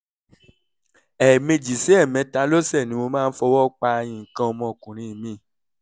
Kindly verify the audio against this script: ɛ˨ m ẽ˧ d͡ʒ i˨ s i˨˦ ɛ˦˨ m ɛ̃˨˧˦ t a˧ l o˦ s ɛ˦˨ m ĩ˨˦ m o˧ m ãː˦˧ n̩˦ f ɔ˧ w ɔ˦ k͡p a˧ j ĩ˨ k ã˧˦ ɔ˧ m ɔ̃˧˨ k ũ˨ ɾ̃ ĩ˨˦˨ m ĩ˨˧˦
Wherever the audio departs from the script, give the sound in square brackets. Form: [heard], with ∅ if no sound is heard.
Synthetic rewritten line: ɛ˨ m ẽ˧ d͡ʒ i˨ s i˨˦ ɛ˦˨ m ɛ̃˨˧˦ t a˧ l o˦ s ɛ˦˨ [n] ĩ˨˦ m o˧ m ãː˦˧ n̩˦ f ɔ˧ w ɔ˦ k͡p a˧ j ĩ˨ k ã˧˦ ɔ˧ m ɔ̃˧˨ k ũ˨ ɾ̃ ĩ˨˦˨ m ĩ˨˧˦